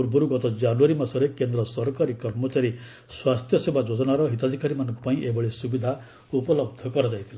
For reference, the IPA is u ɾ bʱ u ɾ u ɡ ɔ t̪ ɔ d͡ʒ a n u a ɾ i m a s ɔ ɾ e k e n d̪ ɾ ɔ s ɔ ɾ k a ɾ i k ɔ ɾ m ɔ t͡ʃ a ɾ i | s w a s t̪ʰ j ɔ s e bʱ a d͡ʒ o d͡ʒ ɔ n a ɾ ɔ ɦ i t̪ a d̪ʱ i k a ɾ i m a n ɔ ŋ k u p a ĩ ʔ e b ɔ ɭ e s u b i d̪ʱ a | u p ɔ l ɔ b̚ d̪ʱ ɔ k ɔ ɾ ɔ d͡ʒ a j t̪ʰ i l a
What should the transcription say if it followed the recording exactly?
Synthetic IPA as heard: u ɾ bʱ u ɾ u ɡ ɔ t̪ ɔ d͡ʒ a n u a ɾ i m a s ɔ ɾ e k e n d̪ ɾ ɔ s ɔ ɾ k a ɾ i k ɔ ɾ m ɔ t͡ʃ a ɾ i | s w a s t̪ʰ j ɔ s e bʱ a d͡ʒ o d͡ʒ ɔ n a ɾ ɔ ɦ i t̪ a d̪ʱ i k a ɾ i m a n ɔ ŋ k u p a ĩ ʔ e b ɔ ɭ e s u b i d̪ʱ a | u p ɔ l ɔ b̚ d̪ʱ ɔ k ɔ ɾ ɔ d͡ʒ a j t̪ʰ i l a

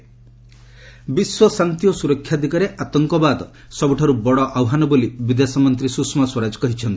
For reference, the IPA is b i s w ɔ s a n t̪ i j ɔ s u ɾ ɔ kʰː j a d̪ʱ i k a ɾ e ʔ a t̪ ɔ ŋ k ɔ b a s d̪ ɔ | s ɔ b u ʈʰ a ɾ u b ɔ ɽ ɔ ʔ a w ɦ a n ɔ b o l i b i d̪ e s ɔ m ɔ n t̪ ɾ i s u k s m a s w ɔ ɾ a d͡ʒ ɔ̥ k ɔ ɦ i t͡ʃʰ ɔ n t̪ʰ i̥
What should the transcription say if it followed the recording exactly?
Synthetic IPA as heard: b i s w ɔ s a n t̪ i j ɔ s u ɾ ɔ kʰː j a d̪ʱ i k a ɾ e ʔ a t̪ ɔ ŋ k ɔ b a d̪ ɔ | s ɔ b u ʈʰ a ɾ u b ɔ ɽ ɔ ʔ a w ɦ a n ɔ b o l i b i d̪ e s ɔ m ɔ n t̪ ɾ i s u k s m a s w ɔ ɾ a d͡ʒ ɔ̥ k ɔ ɦ i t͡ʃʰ ɔ n t̪ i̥

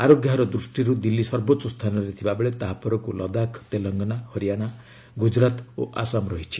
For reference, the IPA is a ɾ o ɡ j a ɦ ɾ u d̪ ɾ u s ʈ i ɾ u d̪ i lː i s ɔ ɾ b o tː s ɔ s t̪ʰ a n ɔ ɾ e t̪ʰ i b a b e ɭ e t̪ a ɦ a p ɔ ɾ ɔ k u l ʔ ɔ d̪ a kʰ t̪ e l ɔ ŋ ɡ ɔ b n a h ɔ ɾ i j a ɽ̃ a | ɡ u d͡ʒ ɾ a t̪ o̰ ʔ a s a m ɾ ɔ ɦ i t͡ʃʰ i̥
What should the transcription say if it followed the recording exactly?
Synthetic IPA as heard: a ɾ o ɡ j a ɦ ɾ ɔ d̪ ɾ u s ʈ i ɾ u d̪ i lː i s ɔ ɾ b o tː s ɔ s t̪ʰ a n ɔ ɾ e t̪ʰ i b a b e ɭ e t̪ a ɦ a p ɔ ɾ ɔ k u l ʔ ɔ d̪ a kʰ t̪ e l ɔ ŋ ɡ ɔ n a h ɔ ɾ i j a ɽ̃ a | ɡ u d͡ʒ ɾ a t̪ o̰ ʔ a s a m ɾ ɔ ɦ i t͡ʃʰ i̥

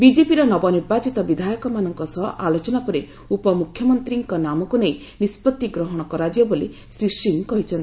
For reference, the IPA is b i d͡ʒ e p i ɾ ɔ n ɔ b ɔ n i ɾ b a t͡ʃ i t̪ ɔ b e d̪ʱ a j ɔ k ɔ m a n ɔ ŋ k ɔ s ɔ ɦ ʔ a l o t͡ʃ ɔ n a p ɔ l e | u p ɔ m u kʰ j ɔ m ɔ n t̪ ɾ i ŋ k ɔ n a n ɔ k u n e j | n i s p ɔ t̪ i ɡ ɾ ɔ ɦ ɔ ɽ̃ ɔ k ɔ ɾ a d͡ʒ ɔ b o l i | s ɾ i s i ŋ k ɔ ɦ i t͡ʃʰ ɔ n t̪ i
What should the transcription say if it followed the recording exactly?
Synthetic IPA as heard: b i d͡ʒ e p i ɾ ɔ n ɔ b ɔ n i ɾ b a t͡ʃ i t̪ ɔ b i d̪ʱ a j ɔ k ɔ m a n ɔ ŋ k ɔ s ɔ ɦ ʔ a l o t͡ʃ ɔ n a p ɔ ɾ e | u p ɔ m u kʰ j ɔ m ɔ n t̪ ɾ i ŋ k ɔ n a m ɔ k u n e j | n i s p ɔ t̪ i ɡ ɾ ɔ ɦ ɔ ɽ̃ ɔ k ɔ ɾ a d͡ʒ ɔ b o l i | s ɾ i s i ŋ k ɔ ɦ i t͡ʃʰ ɔ n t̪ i

